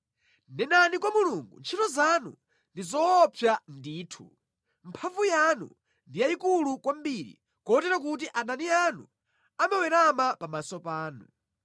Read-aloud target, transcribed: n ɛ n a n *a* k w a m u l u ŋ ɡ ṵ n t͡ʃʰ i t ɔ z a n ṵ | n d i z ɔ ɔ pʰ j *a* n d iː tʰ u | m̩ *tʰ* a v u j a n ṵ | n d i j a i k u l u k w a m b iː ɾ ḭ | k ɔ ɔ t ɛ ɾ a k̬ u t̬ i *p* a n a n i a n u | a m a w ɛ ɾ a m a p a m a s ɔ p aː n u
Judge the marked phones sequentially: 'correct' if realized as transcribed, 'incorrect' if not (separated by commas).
incorrect, correct, incorrect, incorrect